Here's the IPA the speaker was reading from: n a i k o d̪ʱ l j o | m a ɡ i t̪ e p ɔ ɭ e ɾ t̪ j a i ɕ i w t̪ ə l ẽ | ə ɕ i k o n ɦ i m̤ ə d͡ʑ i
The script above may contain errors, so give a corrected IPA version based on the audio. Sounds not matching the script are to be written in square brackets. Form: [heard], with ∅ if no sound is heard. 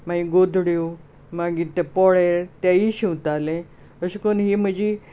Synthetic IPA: [m] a i [ɡ] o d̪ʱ [ɽ] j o | m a ɡ i t̪ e p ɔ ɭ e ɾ t̪ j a i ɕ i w t̪ [a] l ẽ | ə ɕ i k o n ɦ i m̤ ə d͡ʑ i